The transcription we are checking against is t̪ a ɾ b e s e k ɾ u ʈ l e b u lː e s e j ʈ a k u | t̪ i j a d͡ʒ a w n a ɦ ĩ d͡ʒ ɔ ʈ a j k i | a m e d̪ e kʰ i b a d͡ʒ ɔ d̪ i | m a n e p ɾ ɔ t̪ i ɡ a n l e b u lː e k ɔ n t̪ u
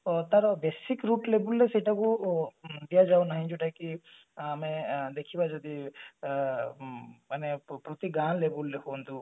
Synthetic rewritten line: t̪ a ɾ b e s i k ɾ u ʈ l e b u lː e s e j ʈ a k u | d̪ i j a d͡ʒ a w n a ɦ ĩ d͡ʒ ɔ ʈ a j k i | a m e d̪ e kʰ i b a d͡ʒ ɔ d̪ i | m a n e p ɾ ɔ t̪ i ɡ a n l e b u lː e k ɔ n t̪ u